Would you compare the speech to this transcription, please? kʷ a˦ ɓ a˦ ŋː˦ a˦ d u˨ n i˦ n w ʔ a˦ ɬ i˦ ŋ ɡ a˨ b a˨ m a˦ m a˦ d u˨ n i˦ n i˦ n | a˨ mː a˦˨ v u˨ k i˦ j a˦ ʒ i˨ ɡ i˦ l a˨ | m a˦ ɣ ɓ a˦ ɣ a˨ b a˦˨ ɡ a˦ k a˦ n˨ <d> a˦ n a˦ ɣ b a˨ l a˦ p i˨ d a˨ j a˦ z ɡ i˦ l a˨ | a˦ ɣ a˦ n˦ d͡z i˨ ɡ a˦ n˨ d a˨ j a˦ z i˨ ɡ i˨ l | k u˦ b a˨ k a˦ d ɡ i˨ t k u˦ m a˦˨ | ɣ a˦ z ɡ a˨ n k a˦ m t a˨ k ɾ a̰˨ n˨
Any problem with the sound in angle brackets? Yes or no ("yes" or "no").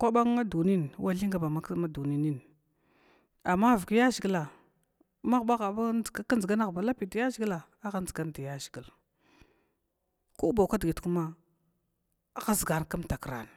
yes